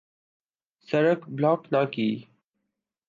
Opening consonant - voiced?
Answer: no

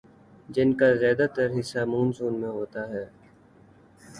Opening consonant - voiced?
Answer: yes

